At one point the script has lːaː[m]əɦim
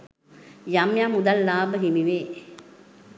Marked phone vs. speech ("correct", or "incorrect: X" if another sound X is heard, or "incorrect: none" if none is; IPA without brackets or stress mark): incorrect: b